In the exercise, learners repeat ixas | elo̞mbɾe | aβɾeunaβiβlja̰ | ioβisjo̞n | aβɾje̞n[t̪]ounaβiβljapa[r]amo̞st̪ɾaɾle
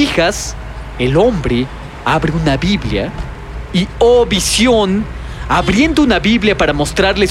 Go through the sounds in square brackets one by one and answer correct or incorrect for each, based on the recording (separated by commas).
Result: incorrect, incorrect